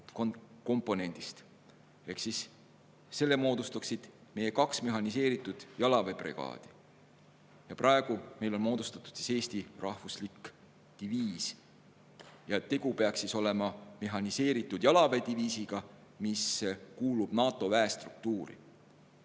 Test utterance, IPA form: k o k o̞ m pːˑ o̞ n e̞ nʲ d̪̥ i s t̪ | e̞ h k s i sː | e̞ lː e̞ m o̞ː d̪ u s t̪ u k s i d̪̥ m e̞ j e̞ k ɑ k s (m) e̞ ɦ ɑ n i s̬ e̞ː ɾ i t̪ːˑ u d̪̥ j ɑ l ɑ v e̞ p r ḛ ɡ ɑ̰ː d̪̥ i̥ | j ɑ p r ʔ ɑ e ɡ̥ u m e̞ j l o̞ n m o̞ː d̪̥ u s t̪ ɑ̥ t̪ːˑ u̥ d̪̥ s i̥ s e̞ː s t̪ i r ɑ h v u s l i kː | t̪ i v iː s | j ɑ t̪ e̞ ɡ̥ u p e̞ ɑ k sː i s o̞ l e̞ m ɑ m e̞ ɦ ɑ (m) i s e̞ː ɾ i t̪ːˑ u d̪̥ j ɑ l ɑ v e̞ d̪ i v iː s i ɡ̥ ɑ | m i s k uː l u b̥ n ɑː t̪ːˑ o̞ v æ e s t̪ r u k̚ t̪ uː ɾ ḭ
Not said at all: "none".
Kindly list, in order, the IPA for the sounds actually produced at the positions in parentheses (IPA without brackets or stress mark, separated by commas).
m, n